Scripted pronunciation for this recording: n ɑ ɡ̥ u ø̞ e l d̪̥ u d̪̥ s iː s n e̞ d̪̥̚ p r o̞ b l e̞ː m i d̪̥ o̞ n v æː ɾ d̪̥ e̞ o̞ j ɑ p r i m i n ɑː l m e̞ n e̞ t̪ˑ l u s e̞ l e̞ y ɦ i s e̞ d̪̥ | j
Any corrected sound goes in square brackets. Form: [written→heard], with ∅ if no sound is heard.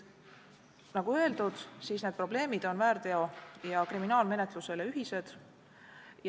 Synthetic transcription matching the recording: n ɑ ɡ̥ u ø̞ e l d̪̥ u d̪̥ s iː s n e̞ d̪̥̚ p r o̞ b l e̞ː m i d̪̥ o̞ n v æː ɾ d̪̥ e̞ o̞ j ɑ [p→k] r i m i n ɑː l m e̞ n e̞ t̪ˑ l u s e̞ l e̞ y ɦ i s e̞ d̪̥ | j